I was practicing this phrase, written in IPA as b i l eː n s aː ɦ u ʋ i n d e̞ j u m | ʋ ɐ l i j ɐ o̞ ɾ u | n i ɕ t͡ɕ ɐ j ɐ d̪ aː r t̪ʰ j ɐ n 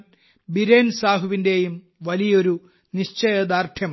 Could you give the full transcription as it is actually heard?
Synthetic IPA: b i ɾ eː n s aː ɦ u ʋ i n d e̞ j u m | ʋ ɐ l i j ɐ o̞ ɾ u | n i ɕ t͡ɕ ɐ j ɐ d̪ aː r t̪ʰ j ɐ m